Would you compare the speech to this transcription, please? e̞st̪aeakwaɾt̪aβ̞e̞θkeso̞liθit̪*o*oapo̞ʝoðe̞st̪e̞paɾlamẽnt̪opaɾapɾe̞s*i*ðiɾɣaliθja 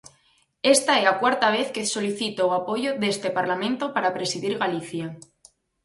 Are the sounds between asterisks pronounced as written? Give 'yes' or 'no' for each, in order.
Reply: yes, yes

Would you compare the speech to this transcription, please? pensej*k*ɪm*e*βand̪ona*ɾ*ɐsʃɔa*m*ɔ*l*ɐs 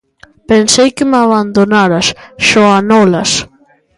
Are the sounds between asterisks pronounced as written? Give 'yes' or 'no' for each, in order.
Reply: yes, no, yes, no, yes

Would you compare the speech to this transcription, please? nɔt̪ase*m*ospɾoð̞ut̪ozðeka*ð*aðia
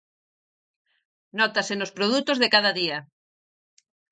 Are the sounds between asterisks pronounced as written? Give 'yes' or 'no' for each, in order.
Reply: no, yes

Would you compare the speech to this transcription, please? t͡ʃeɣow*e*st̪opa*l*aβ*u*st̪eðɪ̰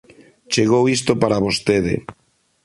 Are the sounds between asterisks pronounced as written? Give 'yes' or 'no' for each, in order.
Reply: no, no, no

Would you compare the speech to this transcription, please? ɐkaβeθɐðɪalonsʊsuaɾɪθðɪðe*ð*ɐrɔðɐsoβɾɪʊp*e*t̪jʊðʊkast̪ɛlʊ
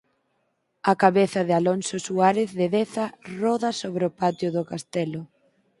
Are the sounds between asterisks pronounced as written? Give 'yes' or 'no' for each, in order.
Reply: no, no

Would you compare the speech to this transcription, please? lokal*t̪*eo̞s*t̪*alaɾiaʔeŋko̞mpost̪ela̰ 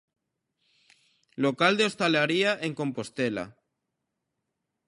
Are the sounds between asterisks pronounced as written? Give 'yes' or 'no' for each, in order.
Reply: no, yes

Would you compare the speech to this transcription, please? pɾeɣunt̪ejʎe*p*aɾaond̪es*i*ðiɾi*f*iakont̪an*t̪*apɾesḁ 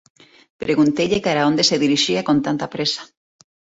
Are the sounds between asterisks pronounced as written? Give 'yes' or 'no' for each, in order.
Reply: no, no, no, yes

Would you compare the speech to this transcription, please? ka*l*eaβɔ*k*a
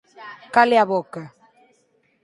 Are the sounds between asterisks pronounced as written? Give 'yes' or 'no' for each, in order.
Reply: yes, yes

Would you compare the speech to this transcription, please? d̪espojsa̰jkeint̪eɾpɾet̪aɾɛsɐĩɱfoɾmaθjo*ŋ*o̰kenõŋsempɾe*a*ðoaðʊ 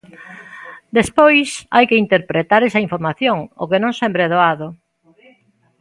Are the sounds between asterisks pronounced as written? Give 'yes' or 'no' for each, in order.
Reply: yes, no

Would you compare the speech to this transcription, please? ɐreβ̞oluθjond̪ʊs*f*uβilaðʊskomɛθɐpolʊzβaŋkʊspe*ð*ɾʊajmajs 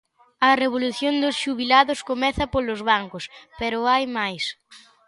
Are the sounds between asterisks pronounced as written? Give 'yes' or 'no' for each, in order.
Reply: no, no

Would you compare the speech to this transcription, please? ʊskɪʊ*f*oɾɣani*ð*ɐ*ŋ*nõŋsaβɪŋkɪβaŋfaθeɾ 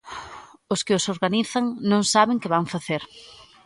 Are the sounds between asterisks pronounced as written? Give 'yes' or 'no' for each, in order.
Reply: no, no, yes

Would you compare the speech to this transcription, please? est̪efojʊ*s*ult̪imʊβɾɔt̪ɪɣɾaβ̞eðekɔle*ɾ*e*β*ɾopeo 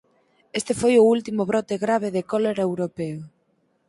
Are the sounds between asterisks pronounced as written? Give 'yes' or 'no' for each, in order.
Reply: no, yes, no

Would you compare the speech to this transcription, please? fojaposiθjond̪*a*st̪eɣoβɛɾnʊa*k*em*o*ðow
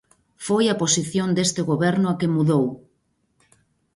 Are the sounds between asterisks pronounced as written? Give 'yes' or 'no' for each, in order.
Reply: no, yes, no

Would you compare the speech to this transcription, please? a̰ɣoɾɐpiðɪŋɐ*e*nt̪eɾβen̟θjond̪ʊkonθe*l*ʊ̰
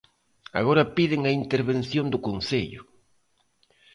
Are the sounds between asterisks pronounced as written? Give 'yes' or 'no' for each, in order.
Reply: no, no

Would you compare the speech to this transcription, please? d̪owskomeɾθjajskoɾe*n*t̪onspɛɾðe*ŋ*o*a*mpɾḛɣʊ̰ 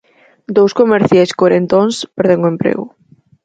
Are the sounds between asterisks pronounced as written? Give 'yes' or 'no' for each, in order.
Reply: yes, yes, no

